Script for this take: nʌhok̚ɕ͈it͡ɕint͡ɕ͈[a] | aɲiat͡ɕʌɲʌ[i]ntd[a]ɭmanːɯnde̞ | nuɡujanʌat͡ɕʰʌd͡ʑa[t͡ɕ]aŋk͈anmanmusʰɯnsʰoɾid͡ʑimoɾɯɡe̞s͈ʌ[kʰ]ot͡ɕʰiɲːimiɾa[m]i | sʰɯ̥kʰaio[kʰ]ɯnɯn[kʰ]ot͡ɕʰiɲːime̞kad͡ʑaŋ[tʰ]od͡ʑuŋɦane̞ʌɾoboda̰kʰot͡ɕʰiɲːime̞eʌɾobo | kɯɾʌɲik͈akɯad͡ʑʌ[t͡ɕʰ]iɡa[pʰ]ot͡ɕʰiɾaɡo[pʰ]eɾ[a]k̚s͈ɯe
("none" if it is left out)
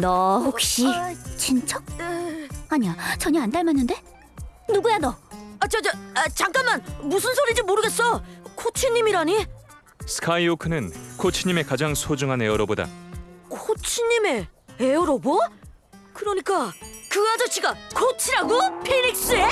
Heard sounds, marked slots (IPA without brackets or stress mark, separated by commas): ʌ, a, a, t͡ɕ, kʰ, ɲ, kʰ, kʰ, sʰ, t͡ɕʰ, kʰ, pʰ, i